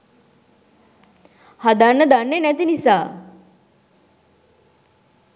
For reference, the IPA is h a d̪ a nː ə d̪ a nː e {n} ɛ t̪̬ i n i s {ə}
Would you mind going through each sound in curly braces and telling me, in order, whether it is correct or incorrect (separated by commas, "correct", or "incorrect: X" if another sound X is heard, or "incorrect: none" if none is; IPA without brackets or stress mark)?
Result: correct, incorrect: a